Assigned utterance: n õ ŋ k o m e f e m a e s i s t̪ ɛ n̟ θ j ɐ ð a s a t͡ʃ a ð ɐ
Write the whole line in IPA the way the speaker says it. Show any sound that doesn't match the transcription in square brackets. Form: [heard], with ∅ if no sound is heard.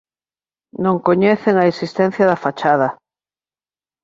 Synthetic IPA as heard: n õ ŋ k o [ɲ] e [θ] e [ŋ] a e s i s t̪ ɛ n̟ θ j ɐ ð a [f] a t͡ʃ a ð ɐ